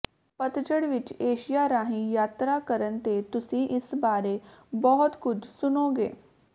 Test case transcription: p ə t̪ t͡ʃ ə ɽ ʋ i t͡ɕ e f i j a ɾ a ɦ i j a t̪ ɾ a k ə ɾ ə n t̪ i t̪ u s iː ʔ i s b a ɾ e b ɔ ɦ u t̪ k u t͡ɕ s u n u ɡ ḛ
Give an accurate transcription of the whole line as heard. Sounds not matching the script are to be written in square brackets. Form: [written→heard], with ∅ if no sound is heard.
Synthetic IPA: p ə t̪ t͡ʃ ə ɽ ʋ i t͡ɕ e [f→ɕ] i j a ɾ a ɦ i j a t̪ ɾ a k ə ɾ ə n t̪ [i→e] t̪ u s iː ʔ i s b a ɾ e b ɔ ɦ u t̪ k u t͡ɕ s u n [u→o] ɡ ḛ